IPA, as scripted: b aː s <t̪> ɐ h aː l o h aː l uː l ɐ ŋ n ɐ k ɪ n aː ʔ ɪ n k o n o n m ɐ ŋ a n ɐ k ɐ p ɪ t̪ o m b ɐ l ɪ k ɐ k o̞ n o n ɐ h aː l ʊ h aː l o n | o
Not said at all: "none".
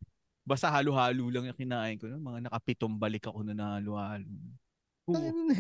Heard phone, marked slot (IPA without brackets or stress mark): t̪